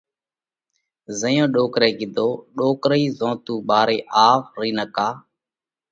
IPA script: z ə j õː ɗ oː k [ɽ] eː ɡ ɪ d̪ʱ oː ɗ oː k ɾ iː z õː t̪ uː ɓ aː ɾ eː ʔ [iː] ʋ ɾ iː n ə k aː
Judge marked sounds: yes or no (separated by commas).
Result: no, no